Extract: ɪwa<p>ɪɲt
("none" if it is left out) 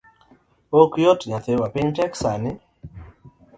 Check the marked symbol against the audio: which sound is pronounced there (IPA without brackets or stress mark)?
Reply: p